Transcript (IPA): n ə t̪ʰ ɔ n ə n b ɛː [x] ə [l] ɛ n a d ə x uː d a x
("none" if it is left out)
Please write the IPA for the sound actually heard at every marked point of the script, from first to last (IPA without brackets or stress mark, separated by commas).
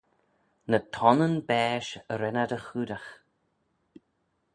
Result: ʃ, ɾ